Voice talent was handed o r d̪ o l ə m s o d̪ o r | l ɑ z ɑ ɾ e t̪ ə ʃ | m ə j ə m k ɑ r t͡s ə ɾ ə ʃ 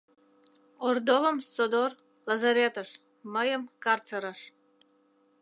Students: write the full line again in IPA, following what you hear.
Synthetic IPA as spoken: o r d̪ o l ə m s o d̪ o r | l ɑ z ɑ ɾ e t̪ ə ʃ | m ə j ə m k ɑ r t͡s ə ɾ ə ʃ